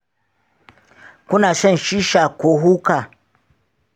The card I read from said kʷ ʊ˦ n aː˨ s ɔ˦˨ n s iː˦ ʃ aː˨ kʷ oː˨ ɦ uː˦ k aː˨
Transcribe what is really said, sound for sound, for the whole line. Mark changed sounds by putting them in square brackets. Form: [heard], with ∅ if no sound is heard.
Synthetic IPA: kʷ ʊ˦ n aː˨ s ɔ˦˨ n [ʃ] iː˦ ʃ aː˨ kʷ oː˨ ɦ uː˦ k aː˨